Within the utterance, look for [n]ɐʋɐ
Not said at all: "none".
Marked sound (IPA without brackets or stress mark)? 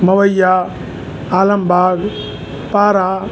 m